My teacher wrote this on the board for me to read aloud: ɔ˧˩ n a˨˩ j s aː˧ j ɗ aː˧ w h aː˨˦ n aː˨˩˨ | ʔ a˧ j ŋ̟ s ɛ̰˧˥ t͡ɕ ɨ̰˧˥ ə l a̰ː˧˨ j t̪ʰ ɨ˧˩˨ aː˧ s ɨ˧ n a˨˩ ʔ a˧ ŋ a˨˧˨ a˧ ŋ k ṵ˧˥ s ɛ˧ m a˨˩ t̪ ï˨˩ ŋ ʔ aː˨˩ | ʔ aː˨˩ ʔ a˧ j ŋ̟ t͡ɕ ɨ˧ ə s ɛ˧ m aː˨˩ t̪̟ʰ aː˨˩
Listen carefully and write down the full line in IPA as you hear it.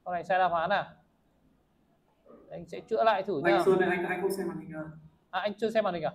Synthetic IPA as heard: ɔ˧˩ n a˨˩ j s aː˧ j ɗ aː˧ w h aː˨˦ n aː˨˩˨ | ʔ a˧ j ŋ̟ s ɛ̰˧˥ t͡ɕ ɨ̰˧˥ ə l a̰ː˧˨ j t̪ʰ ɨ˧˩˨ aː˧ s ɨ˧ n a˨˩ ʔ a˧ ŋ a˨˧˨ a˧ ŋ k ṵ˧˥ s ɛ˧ m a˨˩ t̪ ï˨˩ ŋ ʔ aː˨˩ | ʔ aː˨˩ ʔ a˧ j ŋ̟ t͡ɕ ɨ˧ ə s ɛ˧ m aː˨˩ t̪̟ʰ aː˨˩